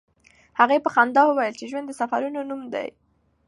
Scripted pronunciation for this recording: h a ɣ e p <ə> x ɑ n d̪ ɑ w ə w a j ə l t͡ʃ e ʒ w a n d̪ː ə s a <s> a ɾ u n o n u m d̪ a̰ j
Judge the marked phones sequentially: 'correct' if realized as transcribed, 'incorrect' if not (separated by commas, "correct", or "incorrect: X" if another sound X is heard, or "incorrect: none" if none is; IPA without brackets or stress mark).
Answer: correct, incorrect: f